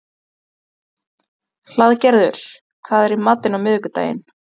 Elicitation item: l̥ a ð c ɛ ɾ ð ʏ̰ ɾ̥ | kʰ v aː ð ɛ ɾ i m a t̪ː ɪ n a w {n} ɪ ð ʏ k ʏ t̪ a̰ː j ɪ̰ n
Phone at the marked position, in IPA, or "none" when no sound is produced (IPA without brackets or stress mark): m